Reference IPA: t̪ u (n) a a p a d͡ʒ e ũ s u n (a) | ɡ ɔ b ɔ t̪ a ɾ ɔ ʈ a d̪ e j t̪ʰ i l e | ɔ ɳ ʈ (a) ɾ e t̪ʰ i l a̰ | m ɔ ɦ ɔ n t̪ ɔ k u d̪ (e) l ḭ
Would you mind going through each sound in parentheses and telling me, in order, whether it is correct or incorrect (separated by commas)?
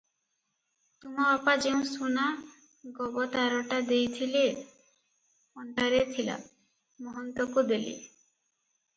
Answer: incorrect, correct, correct, correct